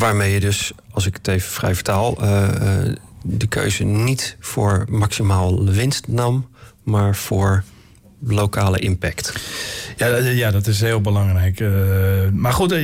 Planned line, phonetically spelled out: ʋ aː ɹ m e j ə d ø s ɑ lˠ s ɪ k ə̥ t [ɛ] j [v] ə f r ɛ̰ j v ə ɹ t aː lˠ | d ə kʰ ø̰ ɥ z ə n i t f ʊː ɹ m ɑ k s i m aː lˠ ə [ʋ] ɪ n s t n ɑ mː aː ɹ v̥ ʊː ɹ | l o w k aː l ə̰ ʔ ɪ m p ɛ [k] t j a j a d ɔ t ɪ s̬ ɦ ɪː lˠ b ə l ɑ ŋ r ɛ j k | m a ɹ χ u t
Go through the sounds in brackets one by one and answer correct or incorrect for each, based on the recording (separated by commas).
incorrect, correct, correct, correct